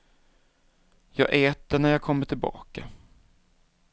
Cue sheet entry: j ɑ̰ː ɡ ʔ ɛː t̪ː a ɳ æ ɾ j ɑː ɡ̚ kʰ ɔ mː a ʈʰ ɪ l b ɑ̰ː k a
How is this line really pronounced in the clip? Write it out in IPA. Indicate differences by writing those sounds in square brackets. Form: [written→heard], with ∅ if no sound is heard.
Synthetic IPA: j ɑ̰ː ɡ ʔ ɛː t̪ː [a→ə] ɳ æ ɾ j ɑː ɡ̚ kʰ ɔ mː [a→ə] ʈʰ ɪ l b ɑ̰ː k a